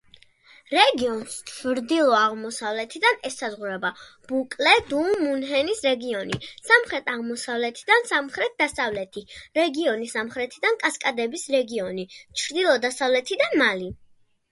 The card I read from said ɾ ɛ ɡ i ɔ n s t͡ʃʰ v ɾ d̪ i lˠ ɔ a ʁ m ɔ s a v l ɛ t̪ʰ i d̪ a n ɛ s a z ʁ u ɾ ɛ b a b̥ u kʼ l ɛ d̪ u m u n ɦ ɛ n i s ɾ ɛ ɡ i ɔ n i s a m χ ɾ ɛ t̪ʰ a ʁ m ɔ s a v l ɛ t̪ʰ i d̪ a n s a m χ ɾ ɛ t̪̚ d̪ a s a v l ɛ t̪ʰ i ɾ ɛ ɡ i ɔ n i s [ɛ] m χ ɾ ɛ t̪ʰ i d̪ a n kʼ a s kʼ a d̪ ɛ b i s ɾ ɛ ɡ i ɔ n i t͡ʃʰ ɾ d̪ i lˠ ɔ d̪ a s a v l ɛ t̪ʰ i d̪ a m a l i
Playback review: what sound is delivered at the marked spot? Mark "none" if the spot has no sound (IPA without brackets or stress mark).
a